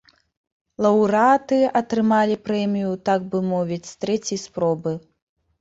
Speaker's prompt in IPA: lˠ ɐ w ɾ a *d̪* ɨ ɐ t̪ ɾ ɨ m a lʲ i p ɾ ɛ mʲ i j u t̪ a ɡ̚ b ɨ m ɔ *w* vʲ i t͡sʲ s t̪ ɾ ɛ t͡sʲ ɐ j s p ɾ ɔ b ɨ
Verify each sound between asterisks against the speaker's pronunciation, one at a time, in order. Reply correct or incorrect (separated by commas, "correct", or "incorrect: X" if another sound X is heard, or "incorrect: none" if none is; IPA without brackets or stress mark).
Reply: incorrect: t̪, incorrect: none